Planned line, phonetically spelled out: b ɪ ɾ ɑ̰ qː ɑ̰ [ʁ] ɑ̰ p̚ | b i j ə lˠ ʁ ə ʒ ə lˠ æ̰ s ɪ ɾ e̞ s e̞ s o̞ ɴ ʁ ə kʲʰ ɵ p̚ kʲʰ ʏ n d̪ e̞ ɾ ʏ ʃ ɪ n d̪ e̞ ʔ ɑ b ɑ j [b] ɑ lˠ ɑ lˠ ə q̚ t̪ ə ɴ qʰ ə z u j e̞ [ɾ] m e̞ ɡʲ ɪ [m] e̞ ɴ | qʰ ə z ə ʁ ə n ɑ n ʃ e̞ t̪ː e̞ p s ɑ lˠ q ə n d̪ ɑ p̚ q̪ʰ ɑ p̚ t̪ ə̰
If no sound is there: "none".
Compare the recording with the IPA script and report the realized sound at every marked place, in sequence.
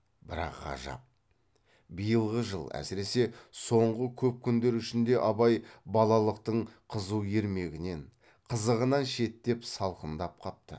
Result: ʒ, b, ɾ, n

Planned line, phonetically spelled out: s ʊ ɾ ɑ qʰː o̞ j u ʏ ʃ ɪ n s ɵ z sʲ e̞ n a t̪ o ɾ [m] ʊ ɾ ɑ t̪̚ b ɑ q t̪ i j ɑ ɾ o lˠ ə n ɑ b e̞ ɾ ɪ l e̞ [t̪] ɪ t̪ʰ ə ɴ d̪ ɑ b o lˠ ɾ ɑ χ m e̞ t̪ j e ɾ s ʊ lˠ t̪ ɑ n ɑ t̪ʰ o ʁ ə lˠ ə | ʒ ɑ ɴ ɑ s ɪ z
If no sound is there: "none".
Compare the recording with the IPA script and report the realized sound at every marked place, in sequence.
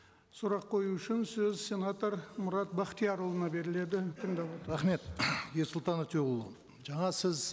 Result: m, d̪

